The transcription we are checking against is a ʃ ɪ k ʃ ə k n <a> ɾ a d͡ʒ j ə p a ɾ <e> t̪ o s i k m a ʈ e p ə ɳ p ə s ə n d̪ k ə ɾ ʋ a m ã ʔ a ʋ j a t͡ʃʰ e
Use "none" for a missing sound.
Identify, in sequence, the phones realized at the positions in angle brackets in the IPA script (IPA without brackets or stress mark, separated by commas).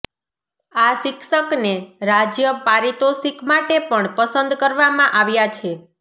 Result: e, i